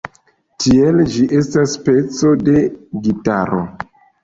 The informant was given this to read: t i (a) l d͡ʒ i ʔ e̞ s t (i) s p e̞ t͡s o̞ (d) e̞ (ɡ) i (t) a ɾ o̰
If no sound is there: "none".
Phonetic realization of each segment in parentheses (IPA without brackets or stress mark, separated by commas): e, a, d, ɡ, t